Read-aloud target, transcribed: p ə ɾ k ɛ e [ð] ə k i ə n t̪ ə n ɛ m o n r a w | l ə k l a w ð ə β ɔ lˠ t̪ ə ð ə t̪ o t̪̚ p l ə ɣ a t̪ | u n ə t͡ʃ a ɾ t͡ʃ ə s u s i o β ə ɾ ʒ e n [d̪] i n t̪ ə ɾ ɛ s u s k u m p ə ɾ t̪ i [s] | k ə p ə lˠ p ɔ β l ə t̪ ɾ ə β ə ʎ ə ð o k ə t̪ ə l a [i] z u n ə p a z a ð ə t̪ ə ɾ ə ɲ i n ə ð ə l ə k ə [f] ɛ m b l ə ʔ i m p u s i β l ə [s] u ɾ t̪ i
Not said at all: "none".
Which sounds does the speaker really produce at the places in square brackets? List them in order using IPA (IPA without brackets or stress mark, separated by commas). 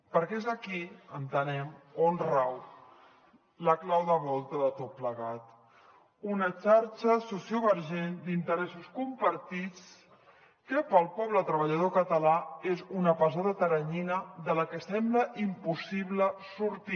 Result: z, d̪, t͡s, e, s, s